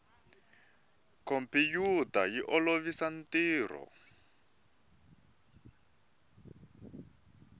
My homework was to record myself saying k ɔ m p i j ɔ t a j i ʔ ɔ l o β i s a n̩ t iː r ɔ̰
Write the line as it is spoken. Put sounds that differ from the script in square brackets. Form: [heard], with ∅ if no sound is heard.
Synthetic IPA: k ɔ m p i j [u] t a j i ʔ ɔ l o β i s a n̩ t iː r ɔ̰